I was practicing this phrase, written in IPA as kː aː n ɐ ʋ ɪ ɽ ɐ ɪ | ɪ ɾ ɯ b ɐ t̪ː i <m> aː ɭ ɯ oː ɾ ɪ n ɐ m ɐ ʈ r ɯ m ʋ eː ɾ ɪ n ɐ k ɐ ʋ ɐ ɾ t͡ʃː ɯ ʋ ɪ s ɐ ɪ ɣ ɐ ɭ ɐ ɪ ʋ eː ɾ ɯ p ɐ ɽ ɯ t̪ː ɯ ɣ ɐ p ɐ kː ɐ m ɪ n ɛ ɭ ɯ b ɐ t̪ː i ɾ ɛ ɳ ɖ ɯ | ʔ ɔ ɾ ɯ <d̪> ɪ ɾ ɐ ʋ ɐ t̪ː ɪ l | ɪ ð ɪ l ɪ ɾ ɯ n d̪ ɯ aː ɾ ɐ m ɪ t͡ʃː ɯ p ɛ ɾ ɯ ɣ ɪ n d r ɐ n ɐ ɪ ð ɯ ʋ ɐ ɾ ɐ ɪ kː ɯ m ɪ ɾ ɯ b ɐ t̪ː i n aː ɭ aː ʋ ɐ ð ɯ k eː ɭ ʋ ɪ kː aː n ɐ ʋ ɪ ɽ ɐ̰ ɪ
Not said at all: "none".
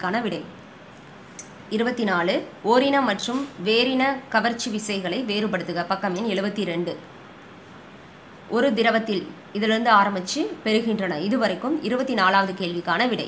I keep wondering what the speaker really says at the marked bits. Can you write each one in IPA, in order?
n, d̪

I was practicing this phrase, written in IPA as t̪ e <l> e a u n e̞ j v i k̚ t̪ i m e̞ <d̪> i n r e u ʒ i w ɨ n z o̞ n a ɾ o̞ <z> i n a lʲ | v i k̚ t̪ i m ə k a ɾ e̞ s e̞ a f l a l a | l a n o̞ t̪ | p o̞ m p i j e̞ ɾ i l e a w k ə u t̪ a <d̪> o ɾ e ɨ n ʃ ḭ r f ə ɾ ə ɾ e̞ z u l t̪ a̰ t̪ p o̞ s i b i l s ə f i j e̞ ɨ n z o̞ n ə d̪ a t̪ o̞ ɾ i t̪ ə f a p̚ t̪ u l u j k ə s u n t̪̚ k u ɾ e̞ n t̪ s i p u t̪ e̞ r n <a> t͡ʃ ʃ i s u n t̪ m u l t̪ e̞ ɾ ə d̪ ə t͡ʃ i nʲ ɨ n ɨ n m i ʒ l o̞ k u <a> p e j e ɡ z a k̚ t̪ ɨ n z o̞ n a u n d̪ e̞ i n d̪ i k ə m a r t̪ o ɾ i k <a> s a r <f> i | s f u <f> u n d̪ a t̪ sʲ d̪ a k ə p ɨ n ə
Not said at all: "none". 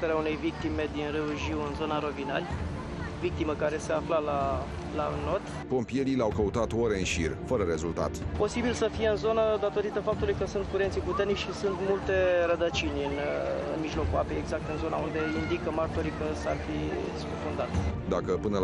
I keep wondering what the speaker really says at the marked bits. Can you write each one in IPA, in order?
ɾ, d̪, v, t̪, i, a, ə, f, f

